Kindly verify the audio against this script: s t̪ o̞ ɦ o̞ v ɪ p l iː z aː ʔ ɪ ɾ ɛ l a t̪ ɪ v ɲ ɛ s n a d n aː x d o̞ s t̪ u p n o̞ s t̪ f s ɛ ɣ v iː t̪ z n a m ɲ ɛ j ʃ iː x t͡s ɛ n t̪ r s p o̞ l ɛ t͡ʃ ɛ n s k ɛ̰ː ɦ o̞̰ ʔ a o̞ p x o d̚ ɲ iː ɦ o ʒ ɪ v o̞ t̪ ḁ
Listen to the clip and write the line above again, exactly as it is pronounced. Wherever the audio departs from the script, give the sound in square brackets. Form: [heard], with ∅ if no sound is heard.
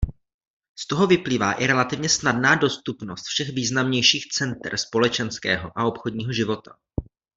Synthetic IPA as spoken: s t̪ o̞ ɦ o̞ v ɪ p l iː [v] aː ʔ ɪ ɾ ɛ l a t̪ ɪ v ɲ ɛ s n a d n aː [∅] d o̞ s t̪ u p n o̞ s t̪ f [ʃ] ɛ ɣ v iː [∅] z n a m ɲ ɛ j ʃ iː x t͡s ɛ n t̪ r s p o̞ l ɛ t͡ʃ ɛ n s k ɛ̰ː ɦ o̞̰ ʔ a o̞ p x o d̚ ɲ iː ɦ o ʒ ɪ v o̞ t̪ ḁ